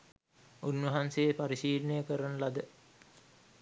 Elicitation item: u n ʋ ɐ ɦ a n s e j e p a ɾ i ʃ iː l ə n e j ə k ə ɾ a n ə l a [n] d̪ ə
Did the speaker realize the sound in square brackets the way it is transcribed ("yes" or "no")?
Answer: no